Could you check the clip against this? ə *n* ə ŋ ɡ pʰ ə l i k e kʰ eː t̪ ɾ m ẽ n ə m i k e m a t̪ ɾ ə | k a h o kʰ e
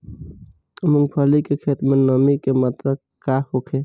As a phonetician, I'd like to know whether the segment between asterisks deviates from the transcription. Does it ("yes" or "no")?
yes